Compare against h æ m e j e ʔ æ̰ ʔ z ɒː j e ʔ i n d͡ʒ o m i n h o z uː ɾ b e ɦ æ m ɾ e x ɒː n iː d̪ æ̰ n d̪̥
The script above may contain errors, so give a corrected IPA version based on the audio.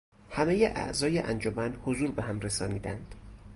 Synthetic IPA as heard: h æ m e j e ʔ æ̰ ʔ z ɒː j e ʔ æ n d͡ʒ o m æ n h o z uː ɾ b e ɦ æ m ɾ e s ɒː n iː d̪ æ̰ n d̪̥